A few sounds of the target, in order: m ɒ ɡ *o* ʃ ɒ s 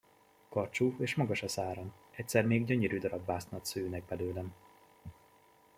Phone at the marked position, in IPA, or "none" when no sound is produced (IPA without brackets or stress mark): ɒ